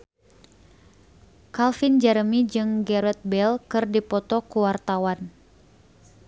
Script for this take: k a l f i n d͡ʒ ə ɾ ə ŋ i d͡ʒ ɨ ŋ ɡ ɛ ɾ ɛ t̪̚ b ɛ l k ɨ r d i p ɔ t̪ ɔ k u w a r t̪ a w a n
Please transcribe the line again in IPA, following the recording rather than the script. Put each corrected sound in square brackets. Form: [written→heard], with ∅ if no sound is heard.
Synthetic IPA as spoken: k a l f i n d͡ʒ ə ɾ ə [ŋ→m] i d͡ʒ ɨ ŋ ɡ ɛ ɾ ɛ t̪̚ b ɛ l k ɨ r d i p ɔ t̪ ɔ k u w a r t̪ a w a n